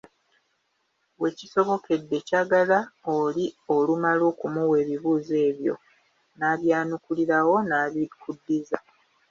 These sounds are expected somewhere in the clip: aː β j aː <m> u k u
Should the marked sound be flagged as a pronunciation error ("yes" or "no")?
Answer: yes